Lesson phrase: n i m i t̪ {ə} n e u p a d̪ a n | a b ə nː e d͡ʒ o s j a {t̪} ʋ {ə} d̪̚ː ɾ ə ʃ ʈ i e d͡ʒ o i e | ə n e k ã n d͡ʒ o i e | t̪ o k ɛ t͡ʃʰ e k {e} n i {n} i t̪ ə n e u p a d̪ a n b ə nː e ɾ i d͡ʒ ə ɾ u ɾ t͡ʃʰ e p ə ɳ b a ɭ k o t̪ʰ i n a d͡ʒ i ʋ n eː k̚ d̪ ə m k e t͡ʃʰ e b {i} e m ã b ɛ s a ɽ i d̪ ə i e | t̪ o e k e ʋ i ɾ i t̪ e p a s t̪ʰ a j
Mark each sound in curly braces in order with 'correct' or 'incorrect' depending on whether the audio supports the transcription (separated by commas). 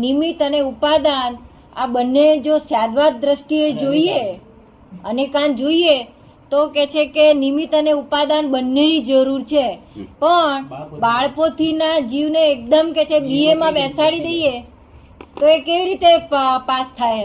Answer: correct, incorrect, incorrect, correct, incorrect, correct